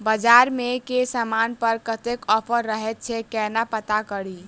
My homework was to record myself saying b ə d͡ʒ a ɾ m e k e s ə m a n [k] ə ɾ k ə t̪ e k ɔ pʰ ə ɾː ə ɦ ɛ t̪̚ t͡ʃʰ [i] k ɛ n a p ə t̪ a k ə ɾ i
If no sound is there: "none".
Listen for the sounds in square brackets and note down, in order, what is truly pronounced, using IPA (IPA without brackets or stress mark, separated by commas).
p, ɛ